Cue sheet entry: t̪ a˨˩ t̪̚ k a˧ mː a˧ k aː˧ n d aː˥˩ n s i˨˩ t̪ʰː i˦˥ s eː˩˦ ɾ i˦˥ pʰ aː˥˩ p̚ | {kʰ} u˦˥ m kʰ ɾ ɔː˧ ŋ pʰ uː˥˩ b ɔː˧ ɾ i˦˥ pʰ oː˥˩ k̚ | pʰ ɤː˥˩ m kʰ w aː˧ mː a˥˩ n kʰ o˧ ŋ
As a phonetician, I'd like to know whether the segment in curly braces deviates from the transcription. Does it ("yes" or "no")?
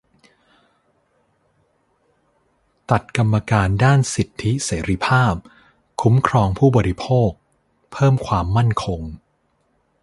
no